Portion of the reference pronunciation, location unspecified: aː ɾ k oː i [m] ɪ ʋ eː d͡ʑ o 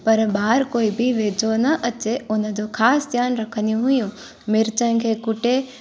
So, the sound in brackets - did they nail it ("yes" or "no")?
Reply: no